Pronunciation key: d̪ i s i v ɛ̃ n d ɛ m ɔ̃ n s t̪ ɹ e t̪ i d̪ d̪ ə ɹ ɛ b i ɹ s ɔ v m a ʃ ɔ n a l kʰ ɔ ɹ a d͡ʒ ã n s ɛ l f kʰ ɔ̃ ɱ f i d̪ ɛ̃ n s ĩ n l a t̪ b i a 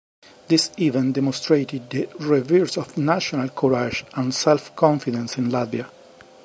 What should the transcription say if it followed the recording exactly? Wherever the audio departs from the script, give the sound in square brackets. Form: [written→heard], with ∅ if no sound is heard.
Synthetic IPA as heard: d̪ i s i v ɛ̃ n d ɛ m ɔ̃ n s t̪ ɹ e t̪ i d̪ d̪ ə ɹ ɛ [b→v] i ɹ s ɔ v [m→n] a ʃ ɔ n a l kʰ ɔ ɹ a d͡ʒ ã n s ɛ l f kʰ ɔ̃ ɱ f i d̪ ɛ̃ n s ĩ n l a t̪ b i a